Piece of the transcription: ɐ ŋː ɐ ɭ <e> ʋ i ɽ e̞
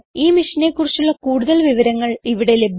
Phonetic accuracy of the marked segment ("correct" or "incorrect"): incorrect